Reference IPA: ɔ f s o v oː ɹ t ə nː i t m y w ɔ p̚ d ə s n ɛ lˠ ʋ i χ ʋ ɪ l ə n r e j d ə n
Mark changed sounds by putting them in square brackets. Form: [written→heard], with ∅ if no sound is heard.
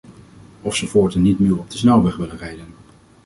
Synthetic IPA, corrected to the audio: ɔ f s o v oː ɹ t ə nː i t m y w ɔ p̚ d ə s n ɛ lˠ ʋ [i→ɛ] χ ʋ ɪ l ə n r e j d ə n